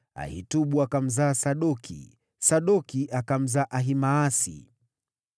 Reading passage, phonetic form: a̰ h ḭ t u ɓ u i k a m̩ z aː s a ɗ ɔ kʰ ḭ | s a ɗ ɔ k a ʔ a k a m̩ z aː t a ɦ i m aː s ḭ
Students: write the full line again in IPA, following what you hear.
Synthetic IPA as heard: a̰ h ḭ t u ɓ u a k a m̩ z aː s a ɗ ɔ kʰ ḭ | s a ɗ ɔ k i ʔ a k a m̩ z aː ʔ a ɦ i m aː s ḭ